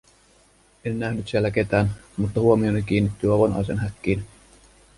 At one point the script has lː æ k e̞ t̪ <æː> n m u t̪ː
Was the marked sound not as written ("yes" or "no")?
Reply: no